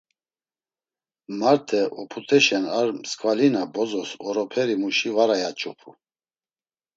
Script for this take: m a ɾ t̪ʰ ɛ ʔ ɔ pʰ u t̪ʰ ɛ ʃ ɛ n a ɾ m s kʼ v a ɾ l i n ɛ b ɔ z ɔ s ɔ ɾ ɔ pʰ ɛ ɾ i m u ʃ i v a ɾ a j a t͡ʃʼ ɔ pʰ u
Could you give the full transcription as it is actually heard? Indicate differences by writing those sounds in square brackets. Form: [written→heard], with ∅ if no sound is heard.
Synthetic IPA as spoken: m a ɾ t̪ʰ ɛ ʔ ɔ pʰ u t̪ʰ ɛ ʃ ɛ n a ɾ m s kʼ v a [ɾ→∅] l i n [ɛ→a] b ɔ z ɔ s ɔ ɾ ɔ pʰ ɛ ɾ i m u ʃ i v a ɾ a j a t͡ʃʼ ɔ pʰ u